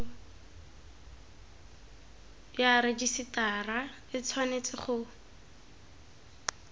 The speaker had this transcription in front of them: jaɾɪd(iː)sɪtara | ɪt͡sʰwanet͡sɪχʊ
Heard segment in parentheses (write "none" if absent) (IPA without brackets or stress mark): i